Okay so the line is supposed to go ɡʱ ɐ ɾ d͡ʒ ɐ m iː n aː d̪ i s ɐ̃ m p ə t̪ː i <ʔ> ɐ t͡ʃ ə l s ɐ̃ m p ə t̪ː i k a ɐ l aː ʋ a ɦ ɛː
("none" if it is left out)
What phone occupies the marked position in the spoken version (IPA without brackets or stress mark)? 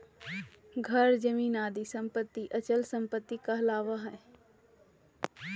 ʔ